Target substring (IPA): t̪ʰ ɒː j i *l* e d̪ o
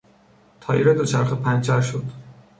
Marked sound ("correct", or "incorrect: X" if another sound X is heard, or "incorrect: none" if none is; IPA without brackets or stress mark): incorrect: ɾ